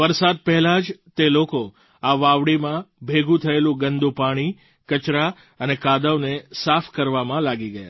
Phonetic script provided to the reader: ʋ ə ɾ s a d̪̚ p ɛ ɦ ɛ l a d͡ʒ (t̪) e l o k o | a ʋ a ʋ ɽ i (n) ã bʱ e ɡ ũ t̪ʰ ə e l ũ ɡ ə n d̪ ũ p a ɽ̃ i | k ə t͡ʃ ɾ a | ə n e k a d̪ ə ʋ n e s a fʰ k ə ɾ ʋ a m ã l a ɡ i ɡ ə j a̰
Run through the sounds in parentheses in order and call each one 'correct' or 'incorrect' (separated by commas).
correct, incorrect